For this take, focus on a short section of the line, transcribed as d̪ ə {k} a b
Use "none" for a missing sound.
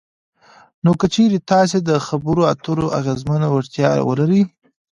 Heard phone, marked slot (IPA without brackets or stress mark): x